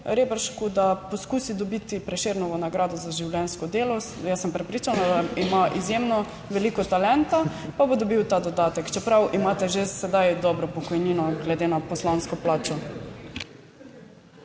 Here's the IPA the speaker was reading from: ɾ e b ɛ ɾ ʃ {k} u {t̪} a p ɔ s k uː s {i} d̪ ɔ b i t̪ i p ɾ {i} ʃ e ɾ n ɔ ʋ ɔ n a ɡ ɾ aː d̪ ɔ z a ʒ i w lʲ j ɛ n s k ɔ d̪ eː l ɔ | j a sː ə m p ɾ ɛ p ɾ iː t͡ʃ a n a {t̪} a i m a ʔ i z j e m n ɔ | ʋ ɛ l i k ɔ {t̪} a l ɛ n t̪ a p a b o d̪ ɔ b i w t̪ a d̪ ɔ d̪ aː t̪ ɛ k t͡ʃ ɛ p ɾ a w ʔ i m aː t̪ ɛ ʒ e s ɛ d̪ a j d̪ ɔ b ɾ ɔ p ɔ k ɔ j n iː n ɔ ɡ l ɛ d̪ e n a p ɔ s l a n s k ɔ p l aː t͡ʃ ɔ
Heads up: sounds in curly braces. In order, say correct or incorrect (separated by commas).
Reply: correct, incorrect, correct, incorrect, incorrect, correct